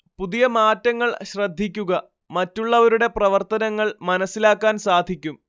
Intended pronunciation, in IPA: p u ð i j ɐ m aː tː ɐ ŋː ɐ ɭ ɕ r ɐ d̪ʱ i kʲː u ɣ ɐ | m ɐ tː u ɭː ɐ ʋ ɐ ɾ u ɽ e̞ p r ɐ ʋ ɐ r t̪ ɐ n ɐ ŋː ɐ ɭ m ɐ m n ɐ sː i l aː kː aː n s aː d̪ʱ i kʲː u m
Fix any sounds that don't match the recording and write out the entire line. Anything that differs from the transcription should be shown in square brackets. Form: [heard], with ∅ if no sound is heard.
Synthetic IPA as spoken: p u ð i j ɐ m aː tː ɐ ŋː ɐ ɭ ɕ r ɐ [d̪ʱː] i kʲː u ɣ ɐ | m ɐ tː u ɭː ɐ ʋ ɐ ɾ u ɽ e̞ p r ɐ ʋ ɐ r t̪ ɐ n ɐ ŋː ɐ ɭ m ɐ [∅] n ɐ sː i l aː kː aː n s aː d̪ʱ i kʲː u m